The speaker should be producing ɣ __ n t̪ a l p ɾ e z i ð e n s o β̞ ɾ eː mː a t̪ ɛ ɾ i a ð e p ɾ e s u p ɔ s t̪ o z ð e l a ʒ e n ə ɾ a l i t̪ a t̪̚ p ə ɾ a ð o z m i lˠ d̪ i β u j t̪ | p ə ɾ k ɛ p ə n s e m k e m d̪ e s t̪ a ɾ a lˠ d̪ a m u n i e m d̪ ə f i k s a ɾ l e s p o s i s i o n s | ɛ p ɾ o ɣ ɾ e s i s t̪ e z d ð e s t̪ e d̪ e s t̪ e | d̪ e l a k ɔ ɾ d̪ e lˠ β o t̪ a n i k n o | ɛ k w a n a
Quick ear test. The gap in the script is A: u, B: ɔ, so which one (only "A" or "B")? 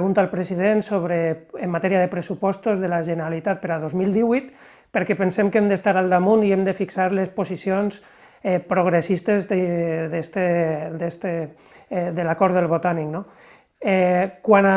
A